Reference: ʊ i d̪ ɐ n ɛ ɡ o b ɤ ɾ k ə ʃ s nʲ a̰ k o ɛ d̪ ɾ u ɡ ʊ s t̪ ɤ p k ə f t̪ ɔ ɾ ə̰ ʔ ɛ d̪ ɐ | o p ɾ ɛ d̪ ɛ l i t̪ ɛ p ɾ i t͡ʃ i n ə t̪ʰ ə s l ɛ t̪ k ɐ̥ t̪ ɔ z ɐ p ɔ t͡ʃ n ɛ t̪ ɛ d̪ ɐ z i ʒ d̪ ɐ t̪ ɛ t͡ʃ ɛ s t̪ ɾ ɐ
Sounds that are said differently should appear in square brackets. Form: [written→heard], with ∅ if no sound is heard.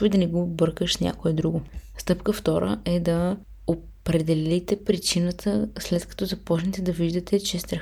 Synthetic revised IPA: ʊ i d̪ ɐ n ɛ ɡ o b ɤ ɾ k ə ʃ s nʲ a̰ k o ɛ d̪ ɾ u ɡ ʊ s t̪ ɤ p k ə f t̪ ɔ ɾ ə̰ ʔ ɛ d̪ ɐ | o p ɾ ɛ d̪ ɛ l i t̪ ɛ p ɾ i t͡ʃ i n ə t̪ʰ ə s l ɛ t̪ k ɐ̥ t̪ ɔ z ɐ p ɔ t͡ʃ n ɛ t̪ ɛ d̪ ɐ [z→v] i ʒ d̪ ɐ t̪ ɛ t͡ʃ ɛ s t̪ ɾ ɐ